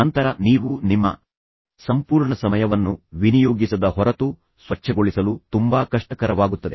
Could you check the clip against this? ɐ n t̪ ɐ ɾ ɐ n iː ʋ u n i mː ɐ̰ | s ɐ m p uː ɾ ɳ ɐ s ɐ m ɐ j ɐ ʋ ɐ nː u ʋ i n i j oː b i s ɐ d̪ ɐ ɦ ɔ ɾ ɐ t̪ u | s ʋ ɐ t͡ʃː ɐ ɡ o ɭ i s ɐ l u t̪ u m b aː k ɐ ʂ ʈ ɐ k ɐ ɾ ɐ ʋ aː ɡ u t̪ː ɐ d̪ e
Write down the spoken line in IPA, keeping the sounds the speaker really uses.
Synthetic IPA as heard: ɐ n t̪ ɐ ɾ ɐ n iː ʋ u n i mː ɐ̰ | s ɐ m p uː ɾ ɳ ɐ s ɐ m ɐ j ɐ ʋ ɐ nː u ʋ i n i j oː ɡ i s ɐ d̪ ɐ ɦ ɔ ɾ ɐ t̪ u | s ʋ ɐ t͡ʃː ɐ ɡ o ɭ i s ɐ l u t̪ u m b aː k ɐ ʂ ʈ ɐ k ɐ ɾ ɐ ʋ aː ɡ u t̪ː ɐ d̪ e